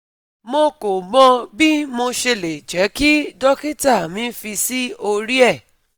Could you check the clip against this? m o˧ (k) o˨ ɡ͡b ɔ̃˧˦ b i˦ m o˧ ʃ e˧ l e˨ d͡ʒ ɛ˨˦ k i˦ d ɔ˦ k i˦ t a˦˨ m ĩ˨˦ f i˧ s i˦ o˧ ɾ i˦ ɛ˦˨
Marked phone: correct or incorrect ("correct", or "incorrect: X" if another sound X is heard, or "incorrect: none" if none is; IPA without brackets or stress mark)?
correct